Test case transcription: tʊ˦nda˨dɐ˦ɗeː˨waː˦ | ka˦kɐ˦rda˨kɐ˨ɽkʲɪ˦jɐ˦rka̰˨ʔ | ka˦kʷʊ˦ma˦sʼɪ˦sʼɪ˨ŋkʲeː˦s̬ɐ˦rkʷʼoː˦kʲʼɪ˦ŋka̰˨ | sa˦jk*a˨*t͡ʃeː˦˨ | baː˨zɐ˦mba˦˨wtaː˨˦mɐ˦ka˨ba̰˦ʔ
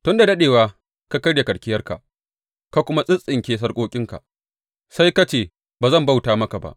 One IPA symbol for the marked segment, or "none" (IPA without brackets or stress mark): a˦